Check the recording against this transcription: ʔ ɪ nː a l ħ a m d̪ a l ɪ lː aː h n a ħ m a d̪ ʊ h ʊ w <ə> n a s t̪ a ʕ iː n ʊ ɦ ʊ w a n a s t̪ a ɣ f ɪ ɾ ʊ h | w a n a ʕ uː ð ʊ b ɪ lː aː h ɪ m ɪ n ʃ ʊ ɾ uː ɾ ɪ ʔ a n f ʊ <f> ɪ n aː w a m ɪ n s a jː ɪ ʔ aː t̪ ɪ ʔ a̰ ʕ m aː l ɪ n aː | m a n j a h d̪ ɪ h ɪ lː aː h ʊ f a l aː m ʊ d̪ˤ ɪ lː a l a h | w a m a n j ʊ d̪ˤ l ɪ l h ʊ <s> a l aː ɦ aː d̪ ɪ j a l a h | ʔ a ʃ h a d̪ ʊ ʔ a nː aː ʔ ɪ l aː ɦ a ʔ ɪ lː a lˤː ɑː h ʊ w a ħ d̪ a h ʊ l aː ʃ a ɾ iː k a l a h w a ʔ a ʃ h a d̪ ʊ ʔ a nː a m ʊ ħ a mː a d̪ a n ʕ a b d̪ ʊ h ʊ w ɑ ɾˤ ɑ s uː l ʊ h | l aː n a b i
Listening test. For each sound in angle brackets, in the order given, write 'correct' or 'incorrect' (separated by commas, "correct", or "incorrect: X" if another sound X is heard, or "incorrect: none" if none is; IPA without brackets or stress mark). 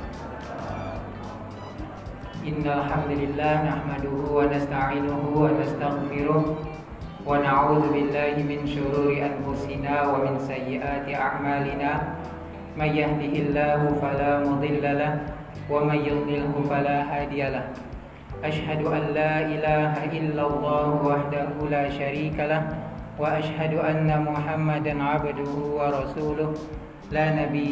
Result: incorrect: a, incorrect: s, incorrect: f